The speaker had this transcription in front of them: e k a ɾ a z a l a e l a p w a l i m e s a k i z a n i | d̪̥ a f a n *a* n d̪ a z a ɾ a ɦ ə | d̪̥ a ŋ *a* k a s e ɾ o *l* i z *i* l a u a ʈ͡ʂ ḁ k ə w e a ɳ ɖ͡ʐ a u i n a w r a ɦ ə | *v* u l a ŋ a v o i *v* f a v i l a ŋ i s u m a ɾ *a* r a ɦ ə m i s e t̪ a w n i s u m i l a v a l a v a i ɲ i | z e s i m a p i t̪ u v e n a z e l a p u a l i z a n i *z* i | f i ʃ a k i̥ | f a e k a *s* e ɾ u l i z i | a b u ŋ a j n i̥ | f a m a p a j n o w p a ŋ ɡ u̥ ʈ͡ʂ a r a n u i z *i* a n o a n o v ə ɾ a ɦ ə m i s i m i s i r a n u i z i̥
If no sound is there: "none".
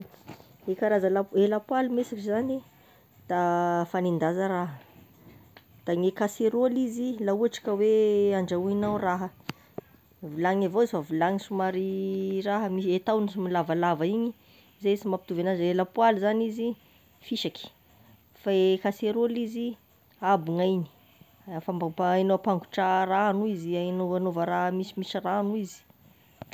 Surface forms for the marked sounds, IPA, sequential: i, e, l, i, v, z, i, z, s, i

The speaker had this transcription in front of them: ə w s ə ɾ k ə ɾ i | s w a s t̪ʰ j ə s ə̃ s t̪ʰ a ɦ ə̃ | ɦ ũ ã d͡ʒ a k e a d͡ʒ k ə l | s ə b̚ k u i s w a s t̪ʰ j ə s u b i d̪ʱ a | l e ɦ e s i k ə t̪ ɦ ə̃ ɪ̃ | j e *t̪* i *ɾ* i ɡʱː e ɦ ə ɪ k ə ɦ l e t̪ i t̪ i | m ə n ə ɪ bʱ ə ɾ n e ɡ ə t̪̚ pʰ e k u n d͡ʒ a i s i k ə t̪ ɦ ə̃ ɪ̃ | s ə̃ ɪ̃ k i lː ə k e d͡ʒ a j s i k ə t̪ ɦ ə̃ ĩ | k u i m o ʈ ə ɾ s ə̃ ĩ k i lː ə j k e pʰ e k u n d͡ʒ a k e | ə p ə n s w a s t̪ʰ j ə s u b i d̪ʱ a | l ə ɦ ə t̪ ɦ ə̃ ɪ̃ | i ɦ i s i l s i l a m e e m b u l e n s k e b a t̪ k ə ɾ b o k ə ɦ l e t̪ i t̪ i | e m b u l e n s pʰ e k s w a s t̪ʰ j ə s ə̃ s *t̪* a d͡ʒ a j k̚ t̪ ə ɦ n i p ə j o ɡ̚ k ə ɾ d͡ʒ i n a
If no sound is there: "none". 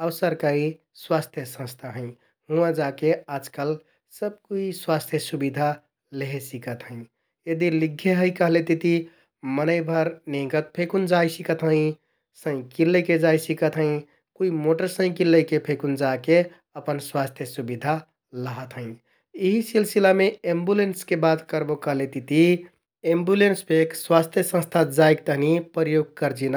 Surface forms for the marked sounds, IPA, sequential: d̪, l, t̪ʰ

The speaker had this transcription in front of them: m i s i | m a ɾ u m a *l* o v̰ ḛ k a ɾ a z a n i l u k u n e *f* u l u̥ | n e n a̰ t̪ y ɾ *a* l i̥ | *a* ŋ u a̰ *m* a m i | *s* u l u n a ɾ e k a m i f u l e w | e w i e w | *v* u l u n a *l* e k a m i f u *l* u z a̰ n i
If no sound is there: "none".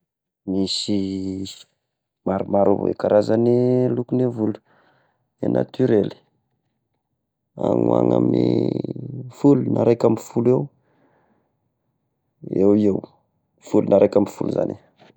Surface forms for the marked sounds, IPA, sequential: ɾ, v, e, a, ŋ, f, f, ɾ, l

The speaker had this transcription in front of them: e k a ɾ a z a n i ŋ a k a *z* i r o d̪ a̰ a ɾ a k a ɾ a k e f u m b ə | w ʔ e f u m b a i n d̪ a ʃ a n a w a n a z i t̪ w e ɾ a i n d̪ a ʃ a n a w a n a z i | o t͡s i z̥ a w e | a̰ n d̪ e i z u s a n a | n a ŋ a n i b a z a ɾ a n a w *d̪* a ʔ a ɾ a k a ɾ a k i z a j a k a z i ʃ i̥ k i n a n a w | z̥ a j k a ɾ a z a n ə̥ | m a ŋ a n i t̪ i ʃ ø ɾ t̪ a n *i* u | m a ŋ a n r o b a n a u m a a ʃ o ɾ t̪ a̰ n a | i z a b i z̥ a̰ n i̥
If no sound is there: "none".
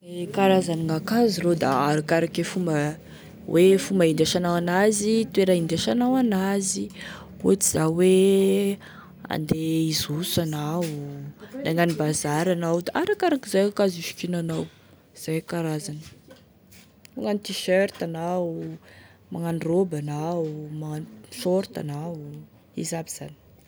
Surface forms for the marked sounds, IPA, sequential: z, d̪, a

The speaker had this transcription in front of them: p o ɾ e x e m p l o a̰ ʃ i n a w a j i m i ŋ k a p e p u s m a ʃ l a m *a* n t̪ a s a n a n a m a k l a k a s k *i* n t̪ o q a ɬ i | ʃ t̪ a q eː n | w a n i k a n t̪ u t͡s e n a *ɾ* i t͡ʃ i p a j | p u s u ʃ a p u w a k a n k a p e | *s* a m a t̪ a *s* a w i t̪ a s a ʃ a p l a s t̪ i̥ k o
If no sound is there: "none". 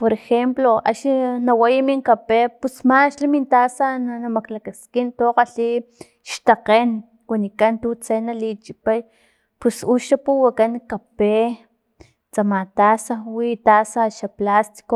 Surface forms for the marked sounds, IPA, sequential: i, i, l, t͡s, s

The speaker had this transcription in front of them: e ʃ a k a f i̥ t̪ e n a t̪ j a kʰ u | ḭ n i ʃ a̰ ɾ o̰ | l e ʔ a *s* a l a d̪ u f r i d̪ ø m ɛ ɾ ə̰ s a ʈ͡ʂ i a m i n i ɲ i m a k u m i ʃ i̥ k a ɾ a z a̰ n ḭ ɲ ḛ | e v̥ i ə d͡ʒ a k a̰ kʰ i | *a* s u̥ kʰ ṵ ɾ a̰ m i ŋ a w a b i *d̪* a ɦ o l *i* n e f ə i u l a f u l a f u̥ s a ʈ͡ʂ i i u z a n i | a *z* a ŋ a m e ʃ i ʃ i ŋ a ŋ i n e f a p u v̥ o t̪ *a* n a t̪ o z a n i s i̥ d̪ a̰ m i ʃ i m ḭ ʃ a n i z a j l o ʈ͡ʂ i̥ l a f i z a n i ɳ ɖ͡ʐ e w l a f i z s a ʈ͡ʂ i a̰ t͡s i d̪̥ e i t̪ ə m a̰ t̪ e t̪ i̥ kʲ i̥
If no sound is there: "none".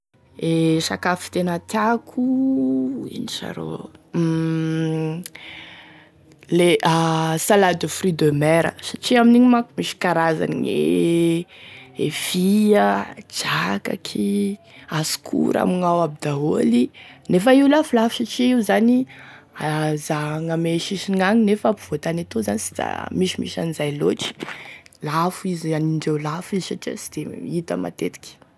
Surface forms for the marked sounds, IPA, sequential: s, a, d̪, i, z, a

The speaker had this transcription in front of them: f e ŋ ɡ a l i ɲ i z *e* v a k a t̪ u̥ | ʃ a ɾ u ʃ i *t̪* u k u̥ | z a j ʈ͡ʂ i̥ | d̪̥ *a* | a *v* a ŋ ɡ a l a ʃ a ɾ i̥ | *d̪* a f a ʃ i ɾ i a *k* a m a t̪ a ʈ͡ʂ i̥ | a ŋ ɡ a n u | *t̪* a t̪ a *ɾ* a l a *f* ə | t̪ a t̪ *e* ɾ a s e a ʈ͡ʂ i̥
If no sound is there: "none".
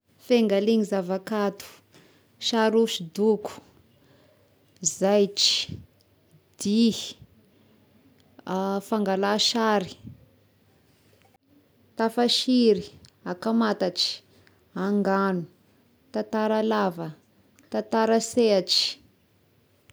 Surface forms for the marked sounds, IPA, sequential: a, d̪, i, f, t̪, k, t̪, ɾ, v, a

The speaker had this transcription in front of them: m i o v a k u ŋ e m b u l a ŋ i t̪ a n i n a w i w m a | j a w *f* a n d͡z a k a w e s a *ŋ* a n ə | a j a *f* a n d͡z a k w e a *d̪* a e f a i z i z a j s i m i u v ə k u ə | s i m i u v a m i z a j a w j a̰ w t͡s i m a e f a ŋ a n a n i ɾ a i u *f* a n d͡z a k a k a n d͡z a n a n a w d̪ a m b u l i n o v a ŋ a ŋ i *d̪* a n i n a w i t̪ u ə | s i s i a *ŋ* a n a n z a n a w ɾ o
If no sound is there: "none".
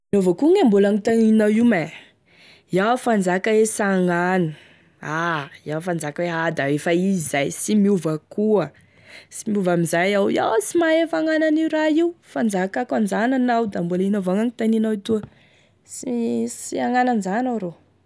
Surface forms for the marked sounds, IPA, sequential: f, ŋ, f, d̪, f, t̪, ŋ

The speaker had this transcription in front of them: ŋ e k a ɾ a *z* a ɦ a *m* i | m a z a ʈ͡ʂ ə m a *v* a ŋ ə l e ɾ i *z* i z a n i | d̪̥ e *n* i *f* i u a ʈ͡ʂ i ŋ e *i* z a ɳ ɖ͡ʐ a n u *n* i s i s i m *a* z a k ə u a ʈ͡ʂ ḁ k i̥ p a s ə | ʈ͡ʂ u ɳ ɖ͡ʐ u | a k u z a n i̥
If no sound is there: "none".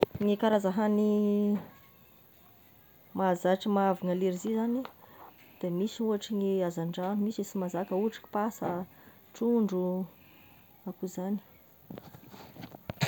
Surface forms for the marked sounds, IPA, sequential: z, n, v, z, m, s, a, m, a

